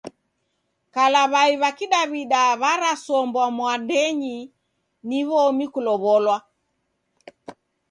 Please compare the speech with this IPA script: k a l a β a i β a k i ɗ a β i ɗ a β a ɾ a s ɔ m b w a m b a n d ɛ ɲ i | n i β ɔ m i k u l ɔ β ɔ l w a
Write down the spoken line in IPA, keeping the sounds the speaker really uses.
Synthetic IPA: k a l a β a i β a k i ɗ a β i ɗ a β a ɾ a s ɔ m b w a m w a n d ɛ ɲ i | n i β ɔ m i k u l ɔ β ɔ l w a